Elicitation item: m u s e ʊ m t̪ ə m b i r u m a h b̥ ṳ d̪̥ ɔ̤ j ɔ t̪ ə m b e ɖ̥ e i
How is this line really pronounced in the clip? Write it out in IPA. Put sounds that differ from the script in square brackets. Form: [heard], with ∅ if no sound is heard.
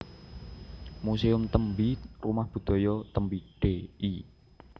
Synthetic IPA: m u s e ʊ m t̪ ə m b i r u m a h b̥ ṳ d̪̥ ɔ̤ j ɔ t̪ ə m b [i] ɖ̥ e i